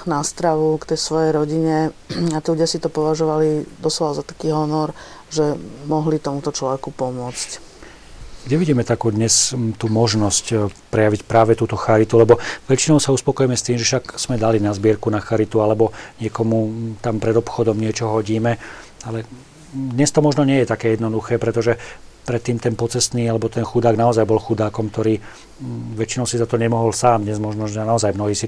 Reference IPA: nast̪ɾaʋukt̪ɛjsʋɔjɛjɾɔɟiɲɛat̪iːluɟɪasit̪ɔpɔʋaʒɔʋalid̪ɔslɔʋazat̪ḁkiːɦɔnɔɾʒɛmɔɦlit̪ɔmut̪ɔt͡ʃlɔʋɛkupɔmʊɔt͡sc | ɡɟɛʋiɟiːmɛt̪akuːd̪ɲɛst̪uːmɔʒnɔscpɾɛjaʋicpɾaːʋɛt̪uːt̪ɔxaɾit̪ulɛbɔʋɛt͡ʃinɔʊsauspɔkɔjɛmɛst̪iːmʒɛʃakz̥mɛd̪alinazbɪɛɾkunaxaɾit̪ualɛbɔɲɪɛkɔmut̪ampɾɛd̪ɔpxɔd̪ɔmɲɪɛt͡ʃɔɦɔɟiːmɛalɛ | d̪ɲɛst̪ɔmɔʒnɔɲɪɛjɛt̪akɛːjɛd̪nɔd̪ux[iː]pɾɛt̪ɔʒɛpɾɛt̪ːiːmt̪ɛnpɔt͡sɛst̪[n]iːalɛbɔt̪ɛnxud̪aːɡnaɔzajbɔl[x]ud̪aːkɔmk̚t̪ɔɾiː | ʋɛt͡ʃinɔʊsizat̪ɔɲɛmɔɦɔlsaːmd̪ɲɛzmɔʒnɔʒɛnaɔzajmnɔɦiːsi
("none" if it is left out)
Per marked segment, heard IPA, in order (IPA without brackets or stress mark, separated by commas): ɛː, n, x